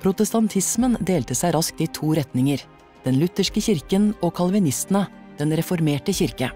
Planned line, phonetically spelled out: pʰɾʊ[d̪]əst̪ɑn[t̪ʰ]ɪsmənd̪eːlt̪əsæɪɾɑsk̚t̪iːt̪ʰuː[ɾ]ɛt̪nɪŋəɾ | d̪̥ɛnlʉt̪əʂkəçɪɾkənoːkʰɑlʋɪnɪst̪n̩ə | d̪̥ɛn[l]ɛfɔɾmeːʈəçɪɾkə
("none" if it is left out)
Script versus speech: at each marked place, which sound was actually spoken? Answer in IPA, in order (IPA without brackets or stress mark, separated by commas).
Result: t̪, t̪ʰ, ɾ, ɾ